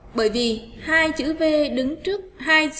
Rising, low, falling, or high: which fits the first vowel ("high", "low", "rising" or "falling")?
falling